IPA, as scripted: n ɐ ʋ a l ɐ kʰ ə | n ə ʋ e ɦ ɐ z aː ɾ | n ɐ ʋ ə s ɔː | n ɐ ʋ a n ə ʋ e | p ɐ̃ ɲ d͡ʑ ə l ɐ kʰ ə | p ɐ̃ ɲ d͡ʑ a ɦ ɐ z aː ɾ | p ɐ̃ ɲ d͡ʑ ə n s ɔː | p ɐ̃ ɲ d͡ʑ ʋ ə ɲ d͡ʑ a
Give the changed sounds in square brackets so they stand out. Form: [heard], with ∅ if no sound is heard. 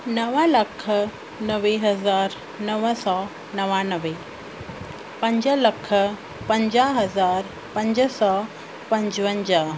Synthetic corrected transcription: n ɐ ʋ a l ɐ kʰ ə | n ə ʋ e ɦ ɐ z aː ɾ | n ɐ ʋ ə s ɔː | n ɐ ʋ a n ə ʋ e | p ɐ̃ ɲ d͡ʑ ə l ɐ kʰ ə | p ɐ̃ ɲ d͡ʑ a ɦ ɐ z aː ɾ | p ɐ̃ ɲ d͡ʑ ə [∅] s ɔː | p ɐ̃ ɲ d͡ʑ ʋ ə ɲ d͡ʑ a